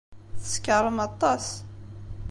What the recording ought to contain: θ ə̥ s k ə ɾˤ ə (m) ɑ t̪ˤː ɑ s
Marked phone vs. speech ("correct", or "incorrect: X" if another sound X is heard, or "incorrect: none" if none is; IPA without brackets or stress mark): correct